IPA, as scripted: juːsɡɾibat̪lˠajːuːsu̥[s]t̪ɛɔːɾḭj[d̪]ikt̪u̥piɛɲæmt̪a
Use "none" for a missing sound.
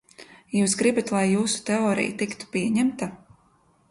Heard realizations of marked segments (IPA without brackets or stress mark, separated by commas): none, t̪